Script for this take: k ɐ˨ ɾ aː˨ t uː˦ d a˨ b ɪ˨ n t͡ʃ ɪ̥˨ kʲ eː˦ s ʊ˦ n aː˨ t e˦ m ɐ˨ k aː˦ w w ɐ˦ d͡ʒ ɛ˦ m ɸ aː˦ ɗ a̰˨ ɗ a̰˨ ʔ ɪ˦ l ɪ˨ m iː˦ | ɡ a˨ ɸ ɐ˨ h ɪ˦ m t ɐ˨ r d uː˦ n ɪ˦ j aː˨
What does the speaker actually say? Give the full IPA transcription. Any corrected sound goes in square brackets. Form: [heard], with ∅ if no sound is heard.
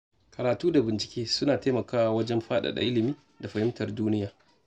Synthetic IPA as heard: k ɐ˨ ɾ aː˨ t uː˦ d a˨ b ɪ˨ n t͡ʃ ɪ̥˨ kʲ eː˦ s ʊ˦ n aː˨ t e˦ m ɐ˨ k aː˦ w w ɐ˦ d͡ʒ ɛ˦ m ɸ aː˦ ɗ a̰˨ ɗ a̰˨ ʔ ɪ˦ l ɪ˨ m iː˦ | [d] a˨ ɸ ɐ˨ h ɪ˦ m t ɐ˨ r d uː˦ n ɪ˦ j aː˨